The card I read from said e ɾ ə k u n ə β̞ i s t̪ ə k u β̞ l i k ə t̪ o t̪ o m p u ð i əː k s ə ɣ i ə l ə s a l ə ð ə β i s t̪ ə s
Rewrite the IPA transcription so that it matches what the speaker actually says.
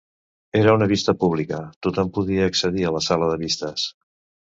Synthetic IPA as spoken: e ɾ ə u n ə β̞ i s t̪ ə p u β̞ l i k ə t̪ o t̪ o m p u ð i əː k s ə ð i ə l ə s a l ə ð ə β i s t̪ ə s